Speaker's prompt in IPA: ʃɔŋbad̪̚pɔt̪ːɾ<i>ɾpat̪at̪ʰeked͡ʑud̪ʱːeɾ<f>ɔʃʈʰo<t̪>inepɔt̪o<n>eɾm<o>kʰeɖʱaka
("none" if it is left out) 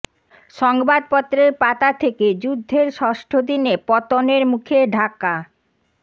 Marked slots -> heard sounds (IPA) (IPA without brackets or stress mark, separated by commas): e, ʃ, d̪, n, u